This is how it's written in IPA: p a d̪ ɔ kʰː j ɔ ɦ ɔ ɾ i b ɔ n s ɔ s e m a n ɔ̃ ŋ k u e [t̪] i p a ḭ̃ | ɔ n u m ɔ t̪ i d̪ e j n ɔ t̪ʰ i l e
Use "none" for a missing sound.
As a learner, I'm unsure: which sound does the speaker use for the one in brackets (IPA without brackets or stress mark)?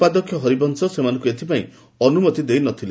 t̪ʰ